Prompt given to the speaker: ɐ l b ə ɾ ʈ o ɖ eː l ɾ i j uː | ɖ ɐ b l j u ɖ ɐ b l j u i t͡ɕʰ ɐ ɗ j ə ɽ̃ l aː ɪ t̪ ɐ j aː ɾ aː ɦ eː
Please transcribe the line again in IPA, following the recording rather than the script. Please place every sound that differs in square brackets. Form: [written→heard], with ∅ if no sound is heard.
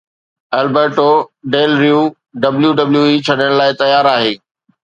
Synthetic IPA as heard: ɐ l b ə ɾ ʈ o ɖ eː l ɾ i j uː | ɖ ɐ b l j u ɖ ɐ b l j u i t͡ɕʰ ɐ ɗ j ə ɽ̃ l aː ɪ t̪ ɐ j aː ɾ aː ɦ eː